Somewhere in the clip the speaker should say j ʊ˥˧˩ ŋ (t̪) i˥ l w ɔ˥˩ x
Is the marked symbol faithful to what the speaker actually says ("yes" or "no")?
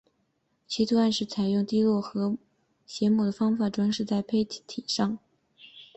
yes